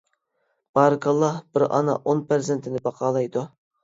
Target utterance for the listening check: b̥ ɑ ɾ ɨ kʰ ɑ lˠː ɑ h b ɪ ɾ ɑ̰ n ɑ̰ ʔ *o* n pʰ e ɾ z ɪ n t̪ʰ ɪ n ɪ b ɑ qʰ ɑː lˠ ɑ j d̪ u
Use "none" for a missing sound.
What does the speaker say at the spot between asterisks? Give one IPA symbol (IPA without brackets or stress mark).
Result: o